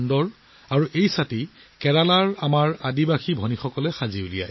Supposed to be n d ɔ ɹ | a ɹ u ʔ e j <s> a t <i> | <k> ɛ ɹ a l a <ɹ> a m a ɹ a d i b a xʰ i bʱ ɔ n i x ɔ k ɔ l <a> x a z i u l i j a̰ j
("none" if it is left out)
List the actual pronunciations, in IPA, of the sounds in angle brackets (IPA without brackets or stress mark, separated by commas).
s, i, k, ɹ, ɛ